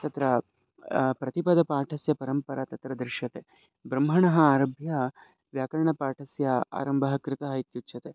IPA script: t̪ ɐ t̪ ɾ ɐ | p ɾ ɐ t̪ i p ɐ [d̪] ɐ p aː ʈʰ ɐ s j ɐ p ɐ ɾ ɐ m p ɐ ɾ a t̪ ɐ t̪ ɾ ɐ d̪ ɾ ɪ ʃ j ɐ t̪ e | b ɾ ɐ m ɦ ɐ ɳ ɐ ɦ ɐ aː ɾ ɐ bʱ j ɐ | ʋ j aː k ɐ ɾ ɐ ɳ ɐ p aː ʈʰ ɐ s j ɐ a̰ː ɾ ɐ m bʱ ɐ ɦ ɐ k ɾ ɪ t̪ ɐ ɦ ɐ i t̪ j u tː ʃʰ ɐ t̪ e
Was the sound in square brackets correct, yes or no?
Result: yes